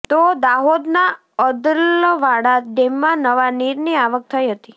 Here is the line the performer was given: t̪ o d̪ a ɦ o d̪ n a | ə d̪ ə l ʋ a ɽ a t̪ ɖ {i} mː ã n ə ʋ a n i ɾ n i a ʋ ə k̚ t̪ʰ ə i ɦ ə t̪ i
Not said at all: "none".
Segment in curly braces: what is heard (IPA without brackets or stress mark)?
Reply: e